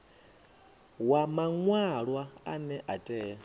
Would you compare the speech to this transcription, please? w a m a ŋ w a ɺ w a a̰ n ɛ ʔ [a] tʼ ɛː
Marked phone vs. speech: correct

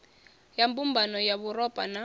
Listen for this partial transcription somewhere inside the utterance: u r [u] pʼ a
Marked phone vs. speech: incorrect: ɔ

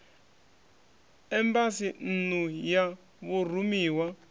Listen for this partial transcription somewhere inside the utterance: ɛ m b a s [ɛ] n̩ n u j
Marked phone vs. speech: incorrect: i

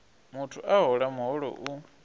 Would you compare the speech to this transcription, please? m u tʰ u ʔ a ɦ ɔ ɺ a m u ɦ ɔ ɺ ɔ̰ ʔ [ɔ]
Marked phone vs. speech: incorrect: u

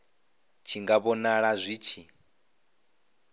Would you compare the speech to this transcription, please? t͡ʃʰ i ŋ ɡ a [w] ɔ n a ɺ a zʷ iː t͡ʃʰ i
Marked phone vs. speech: incorrect: β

